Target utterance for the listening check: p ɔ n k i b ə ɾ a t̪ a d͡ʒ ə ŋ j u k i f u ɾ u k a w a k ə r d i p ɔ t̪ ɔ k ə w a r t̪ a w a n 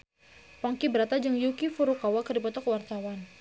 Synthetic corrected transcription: p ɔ ŋ k i b ə ɾ a t̪ a d͡ʒ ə ŋ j u k i f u ɾ u k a w a k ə r d i p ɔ t̪ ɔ k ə w a r t̪ a w a n